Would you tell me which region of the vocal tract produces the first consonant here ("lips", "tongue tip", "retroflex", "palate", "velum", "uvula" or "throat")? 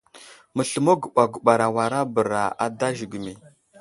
lips